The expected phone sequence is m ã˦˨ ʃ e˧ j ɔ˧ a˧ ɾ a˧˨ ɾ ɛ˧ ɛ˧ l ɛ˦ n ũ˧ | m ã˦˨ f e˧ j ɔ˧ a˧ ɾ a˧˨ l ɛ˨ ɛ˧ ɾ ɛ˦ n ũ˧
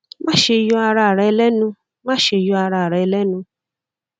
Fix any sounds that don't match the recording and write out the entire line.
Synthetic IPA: m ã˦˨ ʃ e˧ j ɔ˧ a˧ ɾ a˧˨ ɾ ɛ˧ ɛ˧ l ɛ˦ n ũ˧ | m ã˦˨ ʃ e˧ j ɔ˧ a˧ ɾ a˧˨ ɾ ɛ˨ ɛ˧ l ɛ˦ n ũ˧